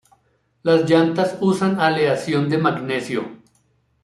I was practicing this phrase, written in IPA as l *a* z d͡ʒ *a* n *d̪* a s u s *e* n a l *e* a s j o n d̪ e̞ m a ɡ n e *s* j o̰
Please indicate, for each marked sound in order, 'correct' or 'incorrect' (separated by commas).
correct, correct, incorrect, incorrect, correct, correct